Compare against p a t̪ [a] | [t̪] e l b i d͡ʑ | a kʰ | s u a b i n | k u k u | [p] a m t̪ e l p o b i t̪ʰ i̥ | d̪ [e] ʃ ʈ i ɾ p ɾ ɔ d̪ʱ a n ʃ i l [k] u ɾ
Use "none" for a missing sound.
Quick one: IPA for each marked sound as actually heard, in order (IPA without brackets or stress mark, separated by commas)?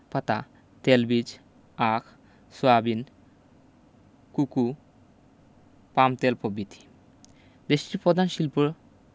a, t̪, p, e, p